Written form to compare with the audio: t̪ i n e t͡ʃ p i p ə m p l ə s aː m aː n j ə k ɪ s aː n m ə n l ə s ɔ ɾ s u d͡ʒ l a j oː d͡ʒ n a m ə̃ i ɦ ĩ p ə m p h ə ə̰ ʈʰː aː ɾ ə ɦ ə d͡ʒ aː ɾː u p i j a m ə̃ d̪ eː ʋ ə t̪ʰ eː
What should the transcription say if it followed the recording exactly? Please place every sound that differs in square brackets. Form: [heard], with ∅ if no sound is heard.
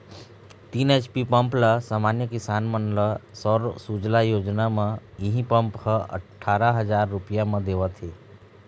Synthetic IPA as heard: t̪ i n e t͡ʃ p i p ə m p l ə s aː m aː n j ə k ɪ s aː n m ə n l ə s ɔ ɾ s u d͡ʒ l a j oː d͡ʒ n a m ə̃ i ɦ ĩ p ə m p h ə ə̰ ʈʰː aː ɾ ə ɦ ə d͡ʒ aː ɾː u p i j a m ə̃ d̪ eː ʋ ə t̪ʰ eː